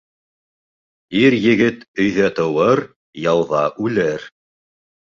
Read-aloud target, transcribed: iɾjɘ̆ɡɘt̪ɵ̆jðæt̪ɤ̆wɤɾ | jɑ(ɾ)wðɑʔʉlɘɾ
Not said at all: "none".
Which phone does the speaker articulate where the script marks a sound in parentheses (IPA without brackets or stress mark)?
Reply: none